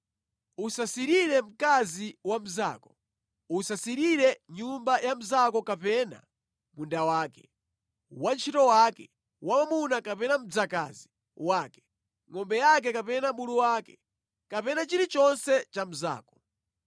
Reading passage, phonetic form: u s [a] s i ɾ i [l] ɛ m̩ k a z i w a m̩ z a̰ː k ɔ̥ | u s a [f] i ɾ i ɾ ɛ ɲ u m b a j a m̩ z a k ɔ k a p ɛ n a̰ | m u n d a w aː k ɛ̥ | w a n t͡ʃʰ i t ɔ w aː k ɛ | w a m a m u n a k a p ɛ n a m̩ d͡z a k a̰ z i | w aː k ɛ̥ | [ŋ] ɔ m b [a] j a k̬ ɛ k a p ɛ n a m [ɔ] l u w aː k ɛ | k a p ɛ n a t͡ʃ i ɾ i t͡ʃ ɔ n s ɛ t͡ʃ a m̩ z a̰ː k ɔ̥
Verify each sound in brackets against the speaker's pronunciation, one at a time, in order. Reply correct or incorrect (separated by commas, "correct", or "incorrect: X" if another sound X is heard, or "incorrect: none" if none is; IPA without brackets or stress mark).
correct, incorrect: ɾ, incorrect: s, correct, incorrect: ɛ, incorrect: u